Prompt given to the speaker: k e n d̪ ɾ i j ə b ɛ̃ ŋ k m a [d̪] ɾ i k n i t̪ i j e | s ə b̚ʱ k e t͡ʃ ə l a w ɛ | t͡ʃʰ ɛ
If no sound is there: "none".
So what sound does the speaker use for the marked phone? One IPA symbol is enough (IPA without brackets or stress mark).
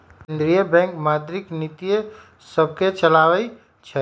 d̪